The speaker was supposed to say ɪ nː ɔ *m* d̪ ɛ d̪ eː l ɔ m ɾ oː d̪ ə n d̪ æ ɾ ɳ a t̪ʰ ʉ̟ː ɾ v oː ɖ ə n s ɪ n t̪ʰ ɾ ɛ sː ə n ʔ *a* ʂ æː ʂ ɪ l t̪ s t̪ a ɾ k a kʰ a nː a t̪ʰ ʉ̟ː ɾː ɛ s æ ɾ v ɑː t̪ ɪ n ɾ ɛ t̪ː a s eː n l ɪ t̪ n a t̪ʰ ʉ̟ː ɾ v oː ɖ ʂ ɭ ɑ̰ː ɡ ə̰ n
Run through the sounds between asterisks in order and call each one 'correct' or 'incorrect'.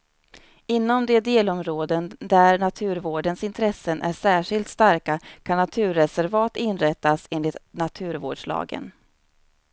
correct, incorrect: æ

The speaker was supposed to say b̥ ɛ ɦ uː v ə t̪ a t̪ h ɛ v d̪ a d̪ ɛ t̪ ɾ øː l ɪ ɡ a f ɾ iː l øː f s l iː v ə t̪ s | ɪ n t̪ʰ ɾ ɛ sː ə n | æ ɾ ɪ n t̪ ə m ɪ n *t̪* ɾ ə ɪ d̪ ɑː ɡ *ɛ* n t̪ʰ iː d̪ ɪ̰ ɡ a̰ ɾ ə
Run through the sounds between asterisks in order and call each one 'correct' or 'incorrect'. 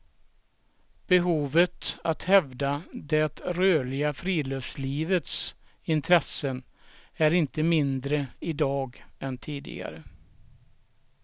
incorrect: d̪, correct

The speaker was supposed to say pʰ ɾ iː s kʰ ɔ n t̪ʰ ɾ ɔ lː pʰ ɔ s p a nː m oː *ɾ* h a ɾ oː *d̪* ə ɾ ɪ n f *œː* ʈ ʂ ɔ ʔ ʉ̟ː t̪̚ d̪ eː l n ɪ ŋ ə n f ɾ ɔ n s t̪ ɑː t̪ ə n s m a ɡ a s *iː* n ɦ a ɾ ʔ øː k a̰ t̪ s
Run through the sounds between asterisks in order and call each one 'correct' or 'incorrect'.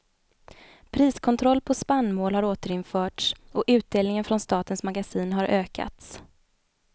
incorrect: l, incorrect: t̪, correct, correct

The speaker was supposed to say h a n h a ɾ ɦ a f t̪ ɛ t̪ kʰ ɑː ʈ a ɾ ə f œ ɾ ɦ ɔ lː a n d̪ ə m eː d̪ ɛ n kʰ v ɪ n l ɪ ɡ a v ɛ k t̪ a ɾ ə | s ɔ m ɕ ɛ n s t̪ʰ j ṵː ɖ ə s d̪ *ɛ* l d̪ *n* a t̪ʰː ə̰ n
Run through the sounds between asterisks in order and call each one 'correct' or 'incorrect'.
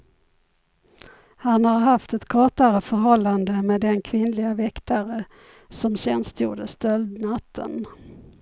incorrect: œ, correct

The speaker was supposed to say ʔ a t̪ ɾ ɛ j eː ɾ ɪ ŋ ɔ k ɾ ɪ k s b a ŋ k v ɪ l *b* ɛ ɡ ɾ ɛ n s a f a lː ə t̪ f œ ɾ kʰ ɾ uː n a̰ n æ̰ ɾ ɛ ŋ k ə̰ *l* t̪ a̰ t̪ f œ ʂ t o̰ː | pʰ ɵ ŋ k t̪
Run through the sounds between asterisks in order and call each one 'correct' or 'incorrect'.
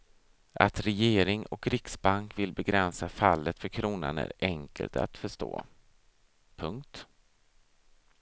correct, correct

